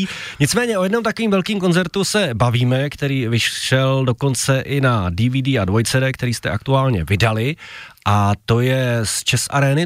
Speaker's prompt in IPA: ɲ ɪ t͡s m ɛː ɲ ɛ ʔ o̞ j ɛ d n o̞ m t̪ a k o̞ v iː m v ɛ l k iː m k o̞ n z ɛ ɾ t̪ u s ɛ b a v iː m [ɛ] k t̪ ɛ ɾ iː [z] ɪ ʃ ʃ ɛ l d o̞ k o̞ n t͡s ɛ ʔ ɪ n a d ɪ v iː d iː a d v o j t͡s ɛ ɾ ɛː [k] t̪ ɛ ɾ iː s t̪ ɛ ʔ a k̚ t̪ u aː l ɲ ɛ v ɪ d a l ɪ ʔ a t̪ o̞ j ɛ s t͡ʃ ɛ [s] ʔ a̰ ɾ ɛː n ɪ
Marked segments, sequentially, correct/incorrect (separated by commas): correct, incorrect, correct, correct